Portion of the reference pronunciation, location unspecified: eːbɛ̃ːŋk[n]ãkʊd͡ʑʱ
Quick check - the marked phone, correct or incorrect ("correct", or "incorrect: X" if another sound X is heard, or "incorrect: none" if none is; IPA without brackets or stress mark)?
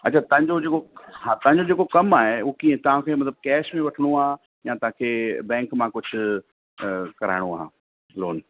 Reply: incorrect: m